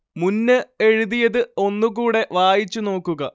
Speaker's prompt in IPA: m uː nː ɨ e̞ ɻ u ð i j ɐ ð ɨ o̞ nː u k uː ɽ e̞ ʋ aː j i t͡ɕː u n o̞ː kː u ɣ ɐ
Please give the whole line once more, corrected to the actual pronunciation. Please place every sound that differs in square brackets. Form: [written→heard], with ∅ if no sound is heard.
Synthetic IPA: m [uː→u] nː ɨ e̞ ɻ u ð i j ɐ ð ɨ o̞ nː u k uː ɽ e̞ ʋ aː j i t͡ɕː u n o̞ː kː u ɣ ɐ

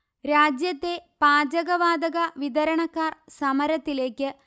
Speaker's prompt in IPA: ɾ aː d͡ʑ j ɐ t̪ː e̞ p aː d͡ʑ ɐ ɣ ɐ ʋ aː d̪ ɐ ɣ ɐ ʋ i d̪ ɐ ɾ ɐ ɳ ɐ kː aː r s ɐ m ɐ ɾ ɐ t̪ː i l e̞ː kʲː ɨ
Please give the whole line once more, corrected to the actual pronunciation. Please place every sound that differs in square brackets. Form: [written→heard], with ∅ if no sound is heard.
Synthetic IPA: ɾ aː d͡ʑ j ɐ t̪ː e̞ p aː d͡ʑ ɐ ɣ ɐ ʋ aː d̪ ɐ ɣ ɐ ʋ i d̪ ɐ ɾ ɐ ɳ ɐ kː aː r s ɐ m ɐ ɾ ɐ t̪ː i l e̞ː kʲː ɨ

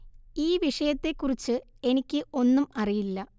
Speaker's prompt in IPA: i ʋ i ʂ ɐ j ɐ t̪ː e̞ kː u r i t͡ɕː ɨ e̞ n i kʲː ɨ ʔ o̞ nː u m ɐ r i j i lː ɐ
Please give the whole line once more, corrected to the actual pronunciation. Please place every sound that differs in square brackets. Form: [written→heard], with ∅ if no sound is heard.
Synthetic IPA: [i→iː] ʋ i ʂ ɐ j ɐ t̪ː e̞ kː u r i t͡ɕː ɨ e̞ n i kʲː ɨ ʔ o̞ nː u m ɐ r i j i lː ɐ

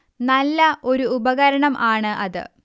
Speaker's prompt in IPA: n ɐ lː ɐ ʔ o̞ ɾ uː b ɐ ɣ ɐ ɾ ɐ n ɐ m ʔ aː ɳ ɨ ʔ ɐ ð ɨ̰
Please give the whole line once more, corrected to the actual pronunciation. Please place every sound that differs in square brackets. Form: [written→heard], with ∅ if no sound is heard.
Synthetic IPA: n ɐ lː ɐ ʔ o̞ ɾ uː b ɐ ɣ ɐ ɾ ɐ [n→ɳ] ɐ m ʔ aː ɳ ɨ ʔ ɐ ð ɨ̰

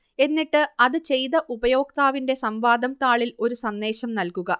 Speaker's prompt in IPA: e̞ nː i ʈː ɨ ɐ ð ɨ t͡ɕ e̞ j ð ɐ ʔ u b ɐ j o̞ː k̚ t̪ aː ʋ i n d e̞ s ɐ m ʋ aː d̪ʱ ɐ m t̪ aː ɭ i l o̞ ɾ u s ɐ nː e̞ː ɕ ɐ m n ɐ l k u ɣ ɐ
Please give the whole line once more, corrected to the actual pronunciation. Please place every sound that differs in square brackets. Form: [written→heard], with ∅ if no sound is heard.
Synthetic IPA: e̞ nː i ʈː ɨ ɐ ð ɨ t͡ɕ e̞ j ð ɐ ʔ u b ɐ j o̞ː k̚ t̪ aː ʋ i n d e̞ s ɐ m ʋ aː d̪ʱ ɐ m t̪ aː ɭ i l o̞ ɾ u s ɐ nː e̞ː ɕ ɐ m n ɐ l k u ɣ ɐ

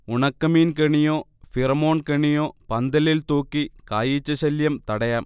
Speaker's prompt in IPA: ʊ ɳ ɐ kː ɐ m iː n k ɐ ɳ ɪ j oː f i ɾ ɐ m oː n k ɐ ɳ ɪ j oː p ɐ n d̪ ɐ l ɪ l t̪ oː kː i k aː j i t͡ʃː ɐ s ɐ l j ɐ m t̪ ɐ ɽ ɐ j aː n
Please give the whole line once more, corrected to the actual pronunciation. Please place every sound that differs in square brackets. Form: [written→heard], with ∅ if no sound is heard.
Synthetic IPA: ʊ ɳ ɐ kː ɐ m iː n k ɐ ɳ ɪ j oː f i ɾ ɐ m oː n k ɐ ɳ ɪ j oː p ɐ n d̪ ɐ l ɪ l t̪ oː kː i k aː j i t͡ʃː ɐ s ɐ l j ɐ m t̪ ɐ ɽ ɐ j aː [n→m]

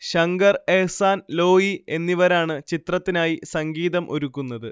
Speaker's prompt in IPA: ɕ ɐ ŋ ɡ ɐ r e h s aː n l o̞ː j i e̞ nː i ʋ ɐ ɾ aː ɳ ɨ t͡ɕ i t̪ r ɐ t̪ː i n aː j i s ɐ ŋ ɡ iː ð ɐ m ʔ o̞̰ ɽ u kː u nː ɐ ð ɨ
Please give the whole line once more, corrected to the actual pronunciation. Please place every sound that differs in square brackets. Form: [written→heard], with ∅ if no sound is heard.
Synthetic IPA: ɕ ɐ ŋ ɡ ɐ r e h s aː n l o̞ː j i e̞ nː i ʋ ɐ ɾ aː ɳ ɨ t͡ɕ i t̪ r ɐ t̪ː i n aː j i s ɐ ŋ ɡ iː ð ɐ m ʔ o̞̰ [ɽ→ɾ] u kː u nː ɐ ð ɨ

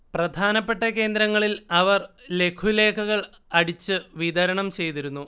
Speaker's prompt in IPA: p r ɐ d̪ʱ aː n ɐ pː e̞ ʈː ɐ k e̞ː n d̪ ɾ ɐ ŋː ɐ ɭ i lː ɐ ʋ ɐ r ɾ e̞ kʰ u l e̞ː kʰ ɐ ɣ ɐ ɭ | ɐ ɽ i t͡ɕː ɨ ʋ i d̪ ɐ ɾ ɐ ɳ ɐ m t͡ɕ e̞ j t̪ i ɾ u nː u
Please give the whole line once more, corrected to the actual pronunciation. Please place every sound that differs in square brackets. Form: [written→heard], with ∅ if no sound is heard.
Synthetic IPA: p r ɐ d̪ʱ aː n ɐ pː e̞ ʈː ɐ k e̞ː n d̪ ɾ ɐ ŋː ɐ ɭ i [lː→l] ɐ ʋ ɐ r [ɾ→l] e̞ kʰ u l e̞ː kʰ ɐ ɣ ɐ ɭ | ɐ ɽ i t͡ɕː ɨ ʋ i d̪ ɐ ɾ ɐ ɳ ɐ m t͡ɕ e̞ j t̪ i ɾ u nː u

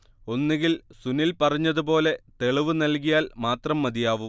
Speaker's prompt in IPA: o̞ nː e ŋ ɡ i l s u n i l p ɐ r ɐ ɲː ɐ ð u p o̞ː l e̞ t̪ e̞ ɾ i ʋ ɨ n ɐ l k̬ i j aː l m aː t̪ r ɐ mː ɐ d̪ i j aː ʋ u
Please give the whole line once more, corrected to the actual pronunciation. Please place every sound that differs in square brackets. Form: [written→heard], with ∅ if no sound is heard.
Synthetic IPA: o̞ nː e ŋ ɡ i l s u n i l p ɐ r ɐ ɲː ɐ ð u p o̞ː l e̞ t̪ e̞ [ɾ→ɭ] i ʋ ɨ n ɐ l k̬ i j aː l m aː t̪ r ɐ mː ɐ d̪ i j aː ʋ u

